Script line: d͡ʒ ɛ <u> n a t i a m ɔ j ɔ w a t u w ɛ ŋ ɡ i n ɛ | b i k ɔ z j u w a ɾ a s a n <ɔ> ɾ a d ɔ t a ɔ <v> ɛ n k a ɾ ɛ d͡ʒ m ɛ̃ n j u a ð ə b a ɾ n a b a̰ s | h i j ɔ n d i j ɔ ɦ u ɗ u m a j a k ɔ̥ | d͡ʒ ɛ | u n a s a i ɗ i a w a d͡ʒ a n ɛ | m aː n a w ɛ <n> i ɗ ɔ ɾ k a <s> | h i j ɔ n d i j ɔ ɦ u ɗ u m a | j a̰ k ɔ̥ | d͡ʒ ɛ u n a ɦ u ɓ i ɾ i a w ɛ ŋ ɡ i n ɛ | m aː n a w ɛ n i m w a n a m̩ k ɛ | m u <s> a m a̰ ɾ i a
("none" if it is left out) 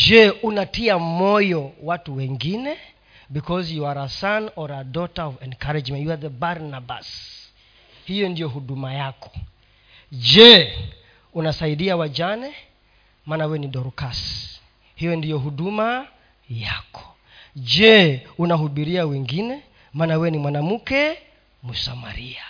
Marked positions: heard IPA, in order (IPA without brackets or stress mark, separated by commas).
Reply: u, ɔ, v, n, s, s